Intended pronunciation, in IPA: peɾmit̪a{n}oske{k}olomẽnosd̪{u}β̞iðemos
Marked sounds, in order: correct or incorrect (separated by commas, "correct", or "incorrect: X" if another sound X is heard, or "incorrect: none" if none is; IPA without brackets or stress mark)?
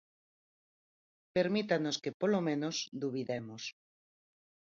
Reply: correct, incorrect: p, correct